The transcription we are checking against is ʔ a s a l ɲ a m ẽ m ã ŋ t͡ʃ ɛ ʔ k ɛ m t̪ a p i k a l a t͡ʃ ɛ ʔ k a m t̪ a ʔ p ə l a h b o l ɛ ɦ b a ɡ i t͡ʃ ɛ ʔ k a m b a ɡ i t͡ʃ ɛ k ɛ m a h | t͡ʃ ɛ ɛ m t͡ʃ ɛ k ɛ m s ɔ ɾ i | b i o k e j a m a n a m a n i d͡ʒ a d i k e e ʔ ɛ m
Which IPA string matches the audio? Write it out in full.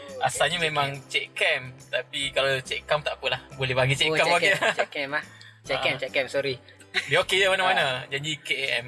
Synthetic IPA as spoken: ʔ a s a l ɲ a m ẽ m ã ŋ t͡ʃ ɛ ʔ k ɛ m t̪ a p i k a l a t͡ʃ ɛ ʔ k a m t̪ a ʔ p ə l a h b o l ɛ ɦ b a ɡ i t͡ʃ ɛ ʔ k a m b a ɡ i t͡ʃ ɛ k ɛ m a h | t͡ʃ ɛ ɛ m t͡ʃ ɛ k ɛ m s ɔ ɾ i | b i o k e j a m a n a m a n a d͡ʒ a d i k e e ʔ ɛ m